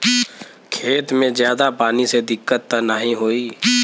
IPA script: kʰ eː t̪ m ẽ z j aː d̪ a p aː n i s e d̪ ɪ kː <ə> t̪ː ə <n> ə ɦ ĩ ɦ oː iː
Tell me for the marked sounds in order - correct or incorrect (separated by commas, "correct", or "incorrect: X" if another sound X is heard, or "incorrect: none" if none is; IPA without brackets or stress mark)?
correct, correct